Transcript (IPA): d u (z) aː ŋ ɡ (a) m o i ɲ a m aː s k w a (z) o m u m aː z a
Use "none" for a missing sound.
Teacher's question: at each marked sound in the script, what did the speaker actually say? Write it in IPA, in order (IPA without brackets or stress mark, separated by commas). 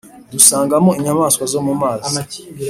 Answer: s, a, z